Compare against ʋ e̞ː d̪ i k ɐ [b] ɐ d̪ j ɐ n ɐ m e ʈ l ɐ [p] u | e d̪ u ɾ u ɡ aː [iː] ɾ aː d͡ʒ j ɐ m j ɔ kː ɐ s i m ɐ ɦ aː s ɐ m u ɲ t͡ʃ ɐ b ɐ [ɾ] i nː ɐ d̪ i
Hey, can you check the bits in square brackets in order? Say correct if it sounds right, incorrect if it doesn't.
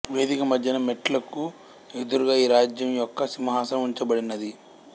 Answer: incorrect, incorrect, correct, incorrect

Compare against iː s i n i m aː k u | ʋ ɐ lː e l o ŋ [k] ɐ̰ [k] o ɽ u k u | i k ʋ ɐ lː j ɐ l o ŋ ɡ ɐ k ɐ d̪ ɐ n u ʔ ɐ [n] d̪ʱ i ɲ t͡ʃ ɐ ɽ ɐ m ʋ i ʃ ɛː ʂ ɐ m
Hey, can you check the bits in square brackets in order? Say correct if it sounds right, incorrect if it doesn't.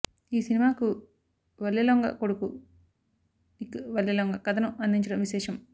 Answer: incorrect, correct, correct

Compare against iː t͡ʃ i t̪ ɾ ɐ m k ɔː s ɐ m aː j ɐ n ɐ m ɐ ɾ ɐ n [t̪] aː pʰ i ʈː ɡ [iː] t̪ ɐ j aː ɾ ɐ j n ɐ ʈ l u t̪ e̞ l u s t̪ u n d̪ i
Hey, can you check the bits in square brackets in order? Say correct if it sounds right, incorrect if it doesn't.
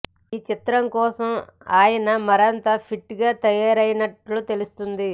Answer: correct, incorrect

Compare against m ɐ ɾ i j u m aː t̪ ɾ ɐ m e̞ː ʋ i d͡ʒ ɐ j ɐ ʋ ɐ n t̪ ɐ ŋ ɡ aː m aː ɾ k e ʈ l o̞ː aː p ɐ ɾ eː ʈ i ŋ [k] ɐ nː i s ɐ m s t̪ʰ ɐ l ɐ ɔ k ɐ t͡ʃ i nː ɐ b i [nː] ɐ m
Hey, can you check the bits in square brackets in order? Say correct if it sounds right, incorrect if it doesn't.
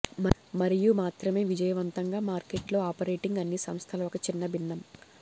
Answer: incorrect, correct

